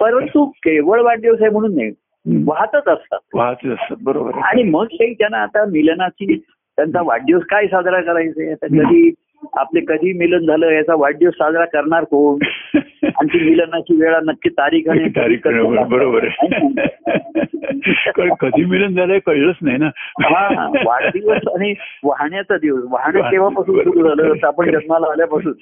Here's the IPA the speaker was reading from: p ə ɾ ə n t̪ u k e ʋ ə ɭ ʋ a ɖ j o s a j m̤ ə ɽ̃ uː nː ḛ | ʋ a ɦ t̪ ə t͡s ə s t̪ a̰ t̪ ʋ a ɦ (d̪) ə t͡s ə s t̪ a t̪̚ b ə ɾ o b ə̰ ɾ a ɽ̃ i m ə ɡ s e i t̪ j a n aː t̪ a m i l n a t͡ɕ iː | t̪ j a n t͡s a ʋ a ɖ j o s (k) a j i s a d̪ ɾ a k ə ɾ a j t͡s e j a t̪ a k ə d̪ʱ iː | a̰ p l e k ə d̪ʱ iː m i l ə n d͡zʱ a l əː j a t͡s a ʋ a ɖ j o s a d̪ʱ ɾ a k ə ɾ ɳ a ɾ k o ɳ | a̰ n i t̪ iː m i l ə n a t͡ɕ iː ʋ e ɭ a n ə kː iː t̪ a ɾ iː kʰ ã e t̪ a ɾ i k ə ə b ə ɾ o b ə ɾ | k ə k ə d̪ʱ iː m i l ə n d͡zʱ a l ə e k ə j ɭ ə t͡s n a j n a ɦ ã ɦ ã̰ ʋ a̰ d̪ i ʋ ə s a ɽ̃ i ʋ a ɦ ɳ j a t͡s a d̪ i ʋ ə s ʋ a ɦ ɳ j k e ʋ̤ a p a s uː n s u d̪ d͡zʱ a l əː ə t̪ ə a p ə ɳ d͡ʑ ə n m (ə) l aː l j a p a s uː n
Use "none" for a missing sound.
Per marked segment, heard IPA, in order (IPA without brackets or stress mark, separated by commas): t̪, k, a